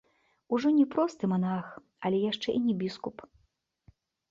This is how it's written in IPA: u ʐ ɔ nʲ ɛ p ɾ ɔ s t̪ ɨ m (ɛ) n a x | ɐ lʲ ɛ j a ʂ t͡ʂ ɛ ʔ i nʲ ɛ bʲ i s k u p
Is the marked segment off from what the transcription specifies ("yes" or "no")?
yes